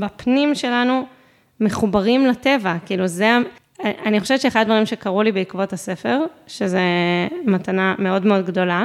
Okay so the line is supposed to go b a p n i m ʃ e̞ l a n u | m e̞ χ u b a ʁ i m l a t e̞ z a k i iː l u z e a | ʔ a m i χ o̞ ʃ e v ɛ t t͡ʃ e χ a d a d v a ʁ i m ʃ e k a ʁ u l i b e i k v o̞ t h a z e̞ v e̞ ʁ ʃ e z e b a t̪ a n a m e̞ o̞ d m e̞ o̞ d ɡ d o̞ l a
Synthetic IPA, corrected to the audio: b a p n i m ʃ e̞ l a n u | m e̞ χ u b a ʁ i m l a t e̞ v a k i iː l u z e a | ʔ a n i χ o̞ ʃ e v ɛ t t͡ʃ e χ a d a d v a ʁ i m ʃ e k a ʁ u l i b e i k v o̞ t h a s e̞ f e̞ ʁ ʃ e z e m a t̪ a n a m e̞ o̞ d m e̞ o̞ d ɡ d o̞ l a